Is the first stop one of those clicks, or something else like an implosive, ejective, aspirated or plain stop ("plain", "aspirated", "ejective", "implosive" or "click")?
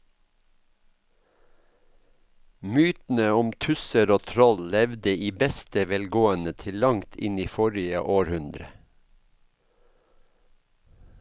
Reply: plain